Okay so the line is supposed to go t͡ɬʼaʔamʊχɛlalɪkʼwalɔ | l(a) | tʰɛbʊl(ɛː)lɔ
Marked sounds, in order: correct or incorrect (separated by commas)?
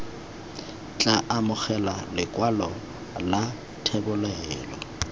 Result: correct, correct